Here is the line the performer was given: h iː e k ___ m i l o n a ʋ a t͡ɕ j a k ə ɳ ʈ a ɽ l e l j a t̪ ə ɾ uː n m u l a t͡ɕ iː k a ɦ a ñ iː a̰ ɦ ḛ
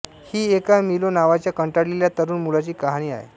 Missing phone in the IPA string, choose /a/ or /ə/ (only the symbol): a